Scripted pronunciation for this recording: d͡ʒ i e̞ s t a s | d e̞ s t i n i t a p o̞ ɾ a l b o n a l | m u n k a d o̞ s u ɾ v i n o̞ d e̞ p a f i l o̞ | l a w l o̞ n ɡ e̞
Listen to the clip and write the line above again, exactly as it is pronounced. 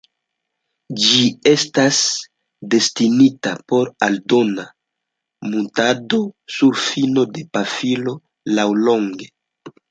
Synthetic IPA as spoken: d͡ʒ i e̞ s t a s | d e̞ s t i n i t a p o̞ ɾ a l d o n a | m u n t a d o̞ s u ɾ f i n o̞ d e̞ p a f i l o̞ | l a w l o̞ ŋ ɡ e̞